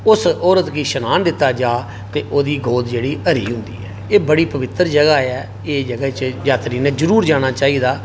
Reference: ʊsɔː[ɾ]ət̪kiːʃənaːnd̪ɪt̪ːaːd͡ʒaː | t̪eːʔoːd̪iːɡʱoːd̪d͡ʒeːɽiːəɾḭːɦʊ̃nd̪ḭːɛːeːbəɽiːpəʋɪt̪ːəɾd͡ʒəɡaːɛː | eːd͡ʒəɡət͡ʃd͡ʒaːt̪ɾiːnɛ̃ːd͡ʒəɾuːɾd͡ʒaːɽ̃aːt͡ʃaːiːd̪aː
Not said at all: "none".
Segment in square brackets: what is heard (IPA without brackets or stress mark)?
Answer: ɾ